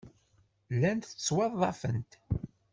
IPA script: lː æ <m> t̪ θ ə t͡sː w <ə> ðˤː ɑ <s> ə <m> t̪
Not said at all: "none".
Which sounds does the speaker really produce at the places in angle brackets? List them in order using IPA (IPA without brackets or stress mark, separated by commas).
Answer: n, ɑ, f, n